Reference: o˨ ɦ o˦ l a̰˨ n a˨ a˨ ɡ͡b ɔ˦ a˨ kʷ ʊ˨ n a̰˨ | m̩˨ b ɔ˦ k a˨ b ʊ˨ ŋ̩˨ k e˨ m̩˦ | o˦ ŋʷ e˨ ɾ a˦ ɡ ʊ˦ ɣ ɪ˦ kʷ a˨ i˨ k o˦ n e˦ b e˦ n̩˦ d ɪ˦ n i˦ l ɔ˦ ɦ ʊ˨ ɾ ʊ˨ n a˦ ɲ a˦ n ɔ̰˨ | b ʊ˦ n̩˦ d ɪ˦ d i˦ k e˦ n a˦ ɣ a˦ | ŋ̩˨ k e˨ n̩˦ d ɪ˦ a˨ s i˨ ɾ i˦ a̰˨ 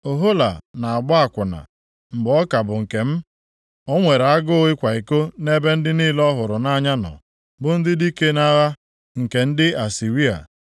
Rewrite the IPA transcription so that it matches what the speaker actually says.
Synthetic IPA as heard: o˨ ɦ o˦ l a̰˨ n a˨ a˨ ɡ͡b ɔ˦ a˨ kʷ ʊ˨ n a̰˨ | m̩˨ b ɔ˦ k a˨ b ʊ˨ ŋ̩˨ k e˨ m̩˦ | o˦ ŋʷ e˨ ɾ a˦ ɡ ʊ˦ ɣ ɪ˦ kʷ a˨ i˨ k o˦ n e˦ b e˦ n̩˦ d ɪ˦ n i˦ l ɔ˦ ɦ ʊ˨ ɾ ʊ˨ n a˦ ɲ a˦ n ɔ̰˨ | b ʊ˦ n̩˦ d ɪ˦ d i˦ k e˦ n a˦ ɣ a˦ | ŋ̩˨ k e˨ n̩˦ d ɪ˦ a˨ s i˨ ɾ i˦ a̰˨